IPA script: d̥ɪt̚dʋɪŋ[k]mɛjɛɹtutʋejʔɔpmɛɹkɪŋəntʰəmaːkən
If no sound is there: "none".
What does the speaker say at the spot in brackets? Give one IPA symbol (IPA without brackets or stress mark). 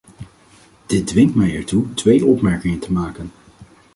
t